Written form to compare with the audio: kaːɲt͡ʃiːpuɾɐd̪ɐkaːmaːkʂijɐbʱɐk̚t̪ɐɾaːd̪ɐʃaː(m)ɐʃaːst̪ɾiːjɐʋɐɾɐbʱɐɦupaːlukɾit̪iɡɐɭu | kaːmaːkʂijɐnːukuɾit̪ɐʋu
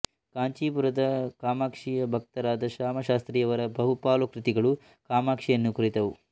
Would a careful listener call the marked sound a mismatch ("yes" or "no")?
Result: no